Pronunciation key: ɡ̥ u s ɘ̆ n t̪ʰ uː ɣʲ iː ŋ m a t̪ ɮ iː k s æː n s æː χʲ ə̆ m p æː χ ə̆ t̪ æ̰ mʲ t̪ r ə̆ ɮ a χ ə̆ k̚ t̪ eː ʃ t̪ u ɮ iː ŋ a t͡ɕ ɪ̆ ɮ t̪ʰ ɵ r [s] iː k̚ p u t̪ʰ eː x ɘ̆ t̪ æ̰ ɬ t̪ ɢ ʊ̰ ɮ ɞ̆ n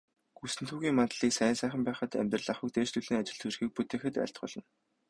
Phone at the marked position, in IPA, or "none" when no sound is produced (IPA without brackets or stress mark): x